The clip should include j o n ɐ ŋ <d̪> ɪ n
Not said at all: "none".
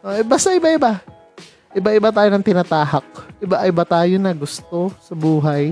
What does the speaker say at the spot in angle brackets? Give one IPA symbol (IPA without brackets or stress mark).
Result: t̪